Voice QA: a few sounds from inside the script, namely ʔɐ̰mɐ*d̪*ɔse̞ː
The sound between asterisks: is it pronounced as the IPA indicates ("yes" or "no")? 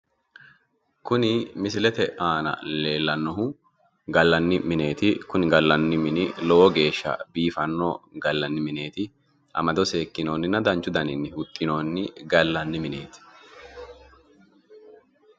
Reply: yes